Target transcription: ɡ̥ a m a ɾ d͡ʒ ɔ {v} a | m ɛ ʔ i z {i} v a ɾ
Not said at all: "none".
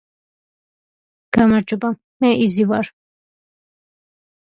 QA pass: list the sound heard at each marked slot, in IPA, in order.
b, i

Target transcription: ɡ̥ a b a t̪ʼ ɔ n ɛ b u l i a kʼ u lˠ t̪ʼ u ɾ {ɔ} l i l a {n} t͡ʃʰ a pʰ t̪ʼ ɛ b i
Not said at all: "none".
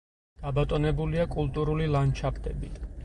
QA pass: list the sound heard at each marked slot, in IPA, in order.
u, n

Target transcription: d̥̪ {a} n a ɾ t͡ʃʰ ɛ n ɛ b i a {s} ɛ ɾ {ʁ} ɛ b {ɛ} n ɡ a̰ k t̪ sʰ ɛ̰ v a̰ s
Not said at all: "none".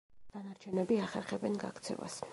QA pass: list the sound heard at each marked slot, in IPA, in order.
a, χ, χ, ɛ

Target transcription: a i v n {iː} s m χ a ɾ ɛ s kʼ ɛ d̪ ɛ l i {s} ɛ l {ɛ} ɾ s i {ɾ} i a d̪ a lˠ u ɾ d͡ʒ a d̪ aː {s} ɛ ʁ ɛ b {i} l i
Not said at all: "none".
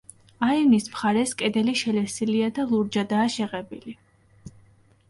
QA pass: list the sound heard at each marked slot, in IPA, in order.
i, ʃ, ɛ, l, ʃ, i

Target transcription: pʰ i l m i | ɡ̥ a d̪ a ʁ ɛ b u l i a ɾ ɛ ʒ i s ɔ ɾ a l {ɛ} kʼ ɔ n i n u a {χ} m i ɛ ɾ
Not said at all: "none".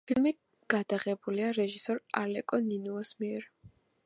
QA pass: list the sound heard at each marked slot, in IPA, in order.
ɛ, s

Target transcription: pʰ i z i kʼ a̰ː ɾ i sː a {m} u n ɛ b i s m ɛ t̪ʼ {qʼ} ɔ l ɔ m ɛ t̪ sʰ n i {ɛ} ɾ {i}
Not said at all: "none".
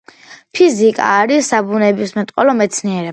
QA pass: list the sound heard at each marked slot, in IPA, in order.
b, qʼ, ɛ, ɛ

